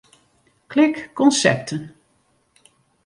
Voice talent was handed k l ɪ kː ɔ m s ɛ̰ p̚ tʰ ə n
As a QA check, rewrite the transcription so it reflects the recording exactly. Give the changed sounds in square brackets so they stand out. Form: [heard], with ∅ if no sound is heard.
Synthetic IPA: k l ɪ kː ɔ [n] s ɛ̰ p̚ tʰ ə n